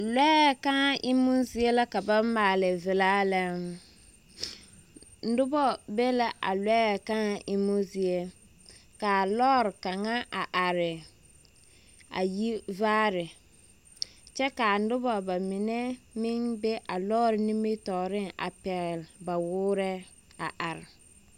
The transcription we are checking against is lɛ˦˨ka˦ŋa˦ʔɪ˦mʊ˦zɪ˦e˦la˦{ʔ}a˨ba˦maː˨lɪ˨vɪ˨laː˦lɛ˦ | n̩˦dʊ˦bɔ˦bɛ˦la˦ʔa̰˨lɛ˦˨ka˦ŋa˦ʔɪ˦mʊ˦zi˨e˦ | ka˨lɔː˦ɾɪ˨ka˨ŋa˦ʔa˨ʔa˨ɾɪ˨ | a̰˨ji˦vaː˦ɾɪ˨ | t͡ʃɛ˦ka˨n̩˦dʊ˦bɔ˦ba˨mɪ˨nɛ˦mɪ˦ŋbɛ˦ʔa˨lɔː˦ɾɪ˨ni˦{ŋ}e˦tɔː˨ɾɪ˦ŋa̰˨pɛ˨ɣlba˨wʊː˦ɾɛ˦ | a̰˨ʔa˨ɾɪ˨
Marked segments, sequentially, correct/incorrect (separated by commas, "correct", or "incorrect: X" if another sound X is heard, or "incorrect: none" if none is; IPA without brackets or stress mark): incorrect: k, incorrect: m